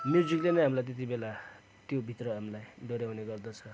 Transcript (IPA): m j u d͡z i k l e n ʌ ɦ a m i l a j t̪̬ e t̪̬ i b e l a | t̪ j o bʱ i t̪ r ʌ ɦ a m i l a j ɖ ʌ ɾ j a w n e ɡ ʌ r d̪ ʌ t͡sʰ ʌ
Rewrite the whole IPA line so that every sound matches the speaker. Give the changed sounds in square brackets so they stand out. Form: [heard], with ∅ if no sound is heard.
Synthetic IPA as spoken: m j u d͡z i k l e n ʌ ɦ a m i l a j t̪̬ e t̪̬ i b e l a | t̪ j o bʱ i t̪ r ʌ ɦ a m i l a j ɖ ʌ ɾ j a w n e ɡ ʌ r d̪ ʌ t͡sʰ ʌ

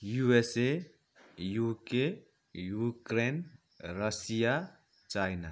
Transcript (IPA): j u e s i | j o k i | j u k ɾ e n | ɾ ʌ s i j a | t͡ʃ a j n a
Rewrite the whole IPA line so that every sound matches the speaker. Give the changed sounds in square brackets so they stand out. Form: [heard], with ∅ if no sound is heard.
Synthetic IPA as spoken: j u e s [e] | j [u] k [e] | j u k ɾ e n | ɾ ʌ s i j a | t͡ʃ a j n a

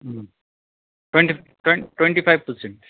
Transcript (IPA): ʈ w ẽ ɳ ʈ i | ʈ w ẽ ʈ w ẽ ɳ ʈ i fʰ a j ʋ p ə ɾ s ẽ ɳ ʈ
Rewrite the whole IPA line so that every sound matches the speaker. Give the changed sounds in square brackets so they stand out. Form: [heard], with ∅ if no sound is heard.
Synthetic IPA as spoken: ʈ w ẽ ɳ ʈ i | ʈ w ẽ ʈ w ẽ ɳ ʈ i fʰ a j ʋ p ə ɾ s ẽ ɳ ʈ

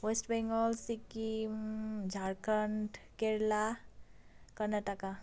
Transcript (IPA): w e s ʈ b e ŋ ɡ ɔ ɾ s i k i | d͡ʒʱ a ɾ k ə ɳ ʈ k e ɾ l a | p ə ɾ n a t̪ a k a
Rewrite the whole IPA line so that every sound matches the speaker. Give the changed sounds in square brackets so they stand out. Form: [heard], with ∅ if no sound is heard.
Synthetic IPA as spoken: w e s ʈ b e ŋ ɡ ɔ [l] s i k i | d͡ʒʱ a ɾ k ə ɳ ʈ k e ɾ l a | [k] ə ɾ n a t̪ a k a

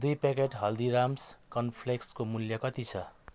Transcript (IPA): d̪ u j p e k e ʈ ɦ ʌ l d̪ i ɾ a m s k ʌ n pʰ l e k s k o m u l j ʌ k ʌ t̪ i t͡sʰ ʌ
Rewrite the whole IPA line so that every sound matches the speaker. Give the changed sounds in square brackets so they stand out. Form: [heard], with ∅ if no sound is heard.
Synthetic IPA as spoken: d̪ u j p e k e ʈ ɦ ʌ l d̪ i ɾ a m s k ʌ n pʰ l e k s k o m u l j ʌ k ʌ t̪ i t͡sʰ ʌ

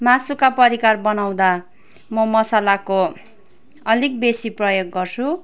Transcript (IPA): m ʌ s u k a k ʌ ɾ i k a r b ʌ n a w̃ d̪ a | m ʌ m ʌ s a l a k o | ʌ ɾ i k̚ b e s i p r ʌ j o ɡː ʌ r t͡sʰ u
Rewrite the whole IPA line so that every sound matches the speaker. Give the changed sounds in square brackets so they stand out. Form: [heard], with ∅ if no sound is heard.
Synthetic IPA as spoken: m [a] s u k a [p] ʌ ɾ i k a r b ʌ n a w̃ d̪ a | m ʌ m ʌ s a l a k o | ʌ [l] i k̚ b e s i p r ʌ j o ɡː ʌ r t͡sʰ u

